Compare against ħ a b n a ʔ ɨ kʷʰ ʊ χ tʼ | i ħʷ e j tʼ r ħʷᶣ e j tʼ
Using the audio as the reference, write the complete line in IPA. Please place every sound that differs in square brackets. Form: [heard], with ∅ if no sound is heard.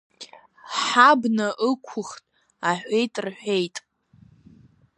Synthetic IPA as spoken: ħ a b n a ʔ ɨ kʷʰ ʊ χ tʼ | [a] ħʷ e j tʼ r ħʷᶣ e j tʼ